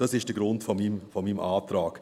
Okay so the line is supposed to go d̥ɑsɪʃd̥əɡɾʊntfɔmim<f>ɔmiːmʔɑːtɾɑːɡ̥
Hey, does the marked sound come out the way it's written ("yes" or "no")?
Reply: yes